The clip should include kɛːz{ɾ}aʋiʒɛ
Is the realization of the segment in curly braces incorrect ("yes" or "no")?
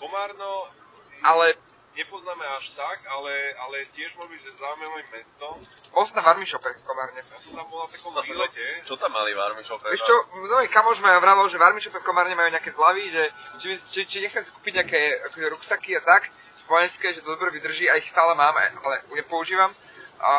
yes